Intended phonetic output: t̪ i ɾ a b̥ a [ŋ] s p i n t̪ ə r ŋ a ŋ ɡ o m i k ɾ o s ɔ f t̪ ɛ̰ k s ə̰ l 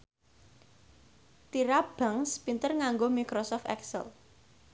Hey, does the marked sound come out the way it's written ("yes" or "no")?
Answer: yes